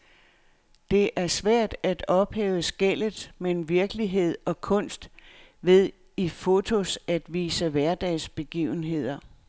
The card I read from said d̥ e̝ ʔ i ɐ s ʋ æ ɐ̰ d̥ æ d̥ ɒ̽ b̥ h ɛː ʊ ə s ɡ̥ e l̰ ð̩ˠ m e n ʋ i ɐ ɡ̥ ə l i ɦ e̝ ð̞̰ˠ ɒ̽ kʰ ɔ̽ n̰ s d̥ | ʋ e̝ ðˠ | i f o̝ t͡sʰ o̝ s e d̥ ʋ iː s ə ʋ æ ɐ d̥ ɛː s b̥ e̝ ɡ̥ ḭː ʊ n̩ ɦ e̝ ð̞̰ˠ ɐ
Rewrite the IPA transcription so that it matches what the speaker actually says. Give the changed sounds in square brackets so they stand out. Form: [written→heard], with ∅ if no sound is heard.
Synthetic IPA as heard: d̥ e̝ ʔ [i→æ] ɐ s ʋ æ ɐ̰ d̥ æ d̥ ɒ̽ b̥ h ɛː ʊ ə s ɡ̥ e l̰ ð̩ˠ m e n ʋ i ɐ ɡ̥ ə l i ɦ e̝ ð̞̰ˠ ɒ̽ kʰ ɔ̽ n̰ s d̥ | ʋ e̝ ðˠ | i f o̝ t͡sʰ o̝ s [e→æ] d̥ ʋ iː s ə ʋ æ ɐ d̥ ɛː s b̥ e̝ ɡ̥ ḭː ʊ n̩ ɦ e̝ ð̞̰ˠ ɐ